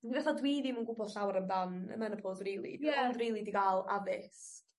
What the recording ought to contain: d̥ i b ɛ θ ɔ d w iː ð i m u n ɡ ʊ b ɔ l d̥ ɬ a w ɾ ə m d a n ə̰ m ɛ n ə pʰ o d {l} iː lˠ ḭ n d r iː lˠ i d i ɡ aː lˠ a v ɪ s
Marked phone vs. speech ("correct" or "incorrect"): incorrect